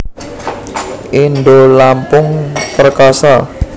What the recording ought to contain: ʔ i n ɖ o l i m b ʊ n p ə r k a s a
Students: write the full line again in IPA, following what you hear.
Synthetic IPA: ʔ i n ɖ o l a m p ʊ ŋ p ə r k a s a